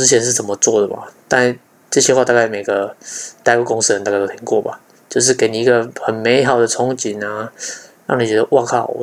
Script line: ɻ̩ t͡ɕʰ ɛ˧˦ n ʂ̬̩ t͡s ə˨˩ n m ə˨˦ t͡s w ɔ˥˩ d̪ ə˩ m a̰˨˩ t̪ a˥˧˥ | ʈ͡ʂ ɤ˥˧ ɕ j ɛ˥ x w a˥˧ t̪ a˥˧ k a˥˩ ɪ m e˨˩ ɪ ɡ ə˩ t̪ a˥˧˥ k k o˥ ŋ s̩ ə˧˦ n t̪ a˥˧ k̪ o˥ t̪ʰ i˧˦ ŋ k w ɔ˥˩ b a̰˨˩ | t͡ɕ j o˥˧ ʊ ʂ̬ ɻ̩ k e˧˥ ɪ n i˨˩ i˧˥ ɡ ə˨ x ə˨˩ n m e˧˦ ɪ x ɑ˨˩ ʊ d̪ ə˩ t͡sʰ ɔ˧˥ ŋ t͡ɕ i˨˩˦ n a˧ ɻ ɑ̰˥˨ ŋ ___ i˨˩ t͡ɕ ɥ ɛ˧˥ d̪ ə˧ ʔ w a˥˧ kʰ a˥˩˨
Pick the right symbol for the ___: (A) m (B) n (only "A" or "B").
B